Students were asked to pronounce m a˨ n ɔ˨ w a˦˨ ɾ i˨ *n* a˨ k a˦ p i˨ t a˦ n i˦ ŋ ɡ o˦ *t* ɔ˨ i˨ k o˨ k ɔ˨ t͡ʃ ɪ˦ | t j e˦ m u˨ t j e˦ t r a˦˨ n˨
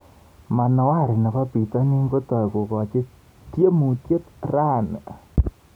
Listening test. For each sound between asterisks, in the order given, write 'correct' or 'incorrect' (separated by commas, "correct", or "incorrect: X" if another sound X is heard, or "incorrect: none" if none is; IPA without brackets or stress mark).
correct, correct